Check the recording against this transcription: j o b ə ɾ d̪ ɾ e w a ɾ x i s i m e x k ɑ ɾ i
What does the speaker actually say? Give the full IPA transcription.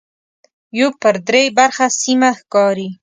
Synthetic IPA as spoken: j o p ə ɾ d̪ ɾ e b a ɾ x a s i m a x k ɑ ɾ i